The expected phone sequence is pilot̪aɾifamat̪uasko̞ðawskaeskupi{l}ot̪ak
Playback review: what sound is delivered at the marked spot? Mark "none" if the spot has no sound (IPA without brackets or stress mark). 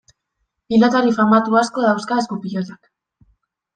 ʎ